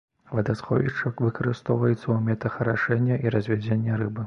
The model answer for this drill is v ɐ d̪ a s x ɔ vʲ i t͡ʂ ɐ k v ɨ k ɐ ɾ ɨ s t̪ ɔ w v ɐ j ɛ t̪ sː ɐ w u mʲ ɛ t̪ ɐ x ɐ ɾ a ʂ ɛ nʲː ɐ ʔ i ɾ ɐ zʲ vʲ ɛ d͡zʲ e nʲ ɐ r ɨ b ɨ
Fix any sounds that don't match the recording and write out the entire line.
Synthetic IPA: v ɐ d̪ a s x ɔ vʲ i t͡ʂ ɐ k v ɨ k ɐ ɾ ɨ s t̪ ɔ w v ɐ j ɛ t̪ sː ɐ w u mʲ ɛ t̪ ɐ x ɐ ɾ a ʂ ɛ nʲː ɐ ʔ i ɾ ɐ zʲ vʲ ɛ d͡zʲ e nʲː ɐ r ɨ b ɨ